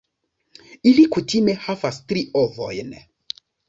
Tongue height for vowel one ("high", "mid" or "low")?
high